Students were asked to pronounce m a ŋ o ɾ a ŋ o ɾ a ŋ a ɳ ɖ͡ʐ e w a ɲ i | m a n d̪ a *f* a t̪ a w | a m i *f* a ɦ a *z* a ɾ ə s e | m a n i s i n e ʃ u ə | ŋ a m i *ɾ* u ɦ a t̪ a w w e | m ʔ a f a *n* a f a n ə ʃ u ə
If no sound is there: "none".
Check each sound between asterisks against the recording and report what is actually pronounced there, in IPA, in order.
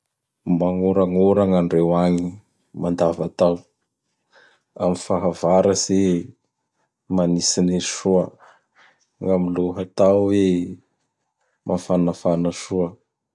v, f, v, l, n

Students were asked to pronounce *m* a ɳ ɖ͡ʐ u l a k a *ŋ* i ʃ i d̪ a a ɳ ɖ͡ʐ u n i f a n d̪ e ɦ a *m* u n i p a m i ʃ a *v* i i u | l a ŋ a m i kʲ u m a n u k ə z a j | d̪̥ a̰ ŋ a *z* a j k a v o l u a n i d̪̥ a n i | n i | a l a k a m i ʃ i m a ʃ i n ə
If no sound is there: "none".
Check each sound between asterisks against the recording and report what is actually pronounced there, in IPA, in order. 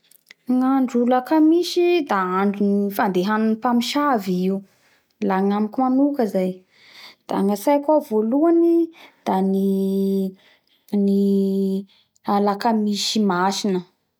ŋ, m, n, v, s

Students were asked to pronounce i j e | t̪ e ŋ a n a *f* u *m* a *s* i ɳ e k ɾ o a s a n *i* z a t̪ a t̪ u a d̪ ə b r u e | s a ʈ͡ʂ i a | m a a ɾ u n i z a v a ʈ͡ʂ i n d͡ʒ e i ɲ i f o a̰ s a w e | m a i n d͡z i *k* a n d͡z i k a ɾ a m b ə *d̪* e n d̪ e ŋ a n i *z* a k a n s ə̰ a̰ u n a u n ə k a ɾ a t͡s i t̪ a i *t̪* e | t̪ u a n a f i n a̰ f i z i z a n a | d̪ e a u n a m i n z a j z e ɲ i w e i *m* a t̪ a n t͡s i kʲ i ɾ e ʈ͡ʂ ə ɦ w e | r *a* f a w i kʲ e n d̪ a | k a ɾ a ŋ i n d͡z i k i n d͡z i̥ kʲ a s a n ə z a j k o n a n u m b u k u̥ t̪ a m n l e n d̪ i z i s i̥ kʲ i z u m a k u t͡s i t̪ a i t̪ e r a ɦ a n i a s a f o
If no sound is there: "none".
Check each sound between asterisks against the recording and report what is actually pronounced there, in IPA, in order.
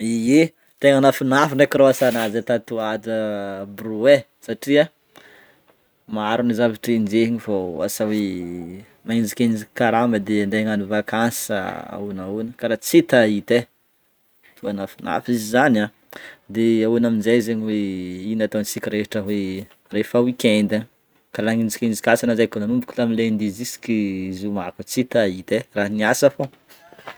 f, n, f, a, k, d̪, v, t̪, n, e

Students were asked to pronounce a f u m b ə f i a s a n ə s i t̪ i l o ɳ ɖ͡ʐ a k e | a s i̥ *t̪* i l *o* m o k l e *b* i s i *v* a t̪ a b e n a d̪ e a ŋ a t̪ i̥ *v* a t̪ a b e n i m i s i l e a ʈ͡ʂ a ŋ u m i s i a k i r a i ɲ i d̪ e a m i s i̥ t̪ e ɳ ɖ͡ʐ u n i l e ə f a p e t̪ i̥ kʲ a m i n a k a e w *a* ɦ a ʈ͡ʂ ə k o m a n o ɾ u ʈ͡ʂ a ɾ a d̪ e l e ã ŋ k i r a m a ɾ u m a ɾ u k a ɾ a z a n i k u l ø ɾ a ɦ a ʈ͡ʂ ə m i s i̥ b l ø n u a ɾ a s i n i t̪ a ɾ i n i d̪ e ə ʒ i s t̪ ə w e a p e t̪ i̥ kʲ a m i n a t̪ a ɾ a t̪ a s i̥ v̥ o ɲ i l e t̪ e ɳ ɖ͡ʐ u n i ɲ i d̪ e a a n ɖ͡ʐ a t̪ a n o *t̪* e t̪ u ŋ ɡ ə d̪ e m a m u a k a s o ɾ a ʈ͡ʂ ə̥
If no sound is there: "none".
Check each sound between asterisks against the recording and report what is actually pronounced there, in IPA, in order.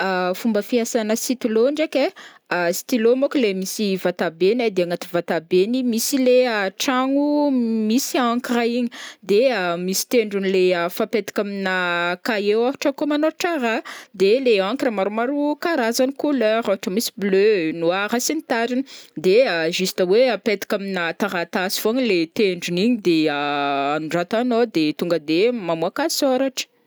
t̪, o, m, v, v, a, d̪

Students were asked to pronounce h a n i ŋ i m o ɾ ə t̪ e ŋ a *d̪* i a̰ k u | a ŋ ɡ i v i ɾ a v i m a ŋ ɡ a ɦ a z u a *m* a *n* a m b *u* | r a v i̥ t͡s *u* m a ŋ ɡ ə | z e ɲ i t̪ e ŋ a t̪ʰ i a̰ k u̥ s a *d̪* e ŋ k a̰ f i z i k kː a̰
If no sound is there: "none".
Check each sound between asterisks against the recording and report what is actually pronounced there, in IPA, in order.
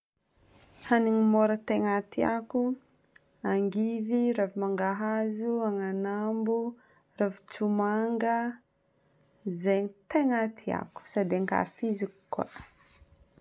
t̪, ŋ, n, u, u, d̪

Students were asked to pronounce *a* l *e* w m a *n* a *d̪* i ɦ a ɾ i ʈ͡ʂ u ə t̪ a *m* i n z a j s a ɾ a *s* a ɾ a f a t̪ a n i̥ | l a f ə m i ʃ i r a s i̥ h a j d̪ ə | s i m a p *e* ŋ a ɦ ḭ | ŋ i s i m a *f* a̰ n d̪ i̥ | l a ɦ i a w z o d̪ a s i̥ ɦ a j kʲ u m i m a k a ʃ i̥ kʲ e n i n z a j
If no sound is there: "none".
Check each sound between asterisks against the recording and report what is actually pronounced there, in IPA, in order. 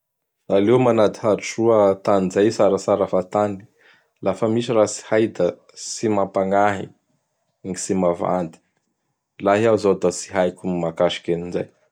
a, e, n, d̪, n, s, a, v

